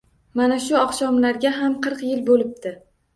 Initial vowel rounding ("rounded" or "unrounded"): unrounded